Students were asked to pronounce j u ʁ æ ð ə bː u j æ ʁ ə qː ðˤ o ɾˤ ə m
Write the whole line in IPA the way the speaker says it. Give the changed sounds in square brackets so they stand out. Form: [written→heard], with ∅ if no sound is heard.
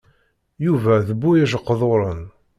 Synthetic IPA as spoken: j u [ʁ→v] æ ð ə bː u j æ [ʁ→ʒ] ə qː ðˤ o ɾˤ ə [m→n]